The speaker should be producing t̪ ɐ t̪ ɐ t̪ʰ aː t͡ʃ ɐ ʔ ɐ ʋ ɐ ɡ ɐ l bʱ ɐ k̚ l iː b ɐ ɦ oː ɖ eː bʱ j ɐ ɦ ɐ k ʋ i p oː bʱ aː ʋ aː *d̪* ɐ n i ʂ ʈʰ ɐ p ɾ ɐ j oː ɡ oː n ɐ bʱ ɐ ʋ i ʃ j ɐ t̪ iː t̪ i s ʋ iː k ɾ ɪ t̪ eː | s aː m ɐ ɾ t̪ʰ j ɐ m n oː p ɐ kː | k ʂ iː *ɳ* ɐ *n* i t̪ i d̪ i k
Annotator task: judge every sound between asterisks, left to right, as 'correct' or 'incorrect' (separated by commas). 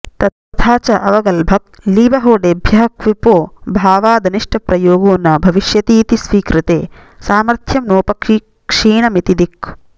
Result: correct, correct, incorrect